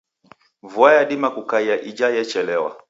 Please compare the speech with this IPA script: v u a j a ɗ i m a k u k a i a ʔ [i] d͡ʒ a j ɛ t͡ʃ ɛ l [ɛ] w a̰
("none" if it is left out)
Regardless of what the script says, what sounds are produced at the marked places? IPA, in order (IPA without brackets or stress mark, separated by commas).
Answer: i, ɛ